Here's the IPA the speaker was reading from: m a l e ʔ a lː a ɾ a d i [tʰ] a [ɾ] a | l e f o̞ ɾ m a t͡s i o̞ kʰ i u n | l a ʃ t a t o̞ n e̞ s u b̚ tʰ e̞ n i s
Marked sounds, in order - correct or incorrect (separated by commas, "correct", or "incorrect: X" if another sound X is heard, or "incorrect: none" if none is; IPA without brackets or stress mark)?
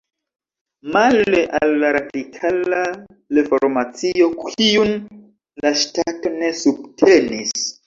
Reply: incorrect: kʰ, incorrect: l